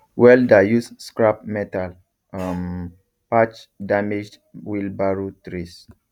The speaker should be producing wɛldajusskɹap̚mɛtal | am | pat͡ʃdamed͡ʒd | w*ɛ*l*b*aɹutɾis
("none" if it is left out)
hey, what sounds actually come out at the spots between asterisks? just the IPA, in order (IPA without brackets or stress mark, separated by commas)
i, b